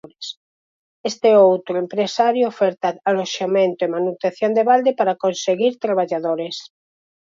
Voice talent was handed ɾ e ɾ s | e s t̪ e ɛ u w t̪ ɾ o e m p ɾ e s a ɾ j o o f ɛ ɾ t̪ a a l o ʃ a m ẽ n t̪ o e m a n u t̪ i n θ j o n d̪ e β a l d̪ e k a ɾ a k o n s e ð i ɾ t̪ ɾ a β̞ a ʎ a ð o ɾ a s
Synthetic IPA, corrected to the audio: ɾ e s | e s t̪ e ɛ o w t̪ ɾ o e m p ɾ e s a ɾ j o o f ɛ ɾ t̪ a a l o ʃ a m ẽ n t̪ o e m a n u t̪ e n θ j o n d̪ e β a l d̪ e p a ɾ a k o n s e ɣ i ɾ t̪ ɾ a β̞ a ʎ a ð o ɾ e s